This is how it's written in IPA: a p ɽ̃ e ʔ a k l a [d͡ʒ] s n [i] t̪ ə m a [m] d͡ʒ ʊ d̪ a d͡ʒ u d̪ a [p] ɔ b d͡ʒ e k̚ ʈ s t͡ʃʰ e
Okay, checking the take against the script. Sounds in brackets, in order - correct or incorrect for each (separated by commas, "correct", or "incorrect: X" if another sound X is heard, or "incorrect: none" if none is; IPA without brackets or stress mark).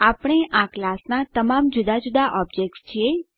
incorrect: none, incorrect: a, correct, incorrect: ʔ